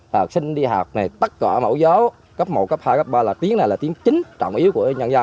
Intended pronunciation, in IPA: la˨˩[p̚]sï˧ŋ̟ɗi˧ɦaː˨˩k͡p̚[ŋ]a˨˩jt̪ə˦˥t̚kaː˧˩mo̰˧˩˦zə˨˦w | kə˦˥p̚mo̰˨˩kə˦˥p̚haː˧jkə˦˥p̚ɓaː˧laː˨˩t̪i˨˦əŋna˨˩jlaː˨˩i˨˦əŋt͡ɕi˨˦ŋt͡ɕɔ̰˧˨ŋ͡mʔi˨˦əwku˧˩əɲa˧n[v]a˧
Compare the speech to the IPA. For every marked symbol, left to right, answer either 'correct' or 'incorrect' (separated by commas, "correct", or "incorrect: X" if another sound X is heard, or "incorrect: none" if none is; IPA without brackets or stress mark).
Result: incorrect: k̚, incorrect: n, incorrect: z